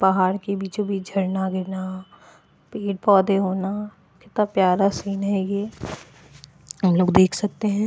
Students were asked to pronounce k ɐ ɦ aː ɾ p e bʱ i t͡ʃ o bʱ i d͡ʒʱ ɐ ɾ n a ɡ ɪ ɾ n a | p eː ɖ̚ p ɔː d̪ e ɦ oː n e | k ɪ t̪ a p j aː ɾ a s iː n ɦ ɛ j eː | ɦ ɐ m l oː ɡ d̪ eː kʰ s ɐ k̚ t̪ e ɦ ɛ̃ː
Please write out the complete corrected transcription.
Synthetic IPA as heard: p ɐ ɦ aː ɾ k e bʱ i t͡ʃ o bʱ i d͡ʒʱ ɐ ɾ n a ɡ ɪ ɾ n a | p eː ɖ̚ p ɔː d̪ e ɦ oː n a | k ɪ t̪ a p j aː ɾ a s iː n ɦ ɛ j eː | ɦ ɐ m l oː ɡ d̪ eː kʰ s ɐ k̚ t̪ e ɦ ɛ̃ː